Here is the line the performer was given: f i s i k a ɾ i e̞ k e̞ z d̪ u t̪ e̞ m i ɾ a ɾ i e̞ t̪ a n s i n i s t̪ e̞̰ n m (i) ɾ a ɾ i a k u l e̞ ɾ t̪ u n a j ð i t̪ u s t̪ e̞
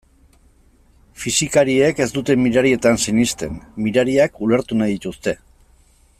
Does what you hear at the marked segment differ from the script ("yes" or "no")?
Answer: no